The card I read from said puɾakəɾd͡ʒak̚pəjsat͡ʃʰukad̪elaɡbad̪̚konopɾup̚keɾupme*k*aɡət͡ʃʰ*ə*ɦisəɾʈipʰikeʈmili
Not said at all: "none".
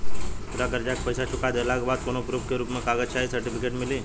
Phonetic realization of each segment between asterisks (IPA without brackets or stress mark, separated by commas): k, a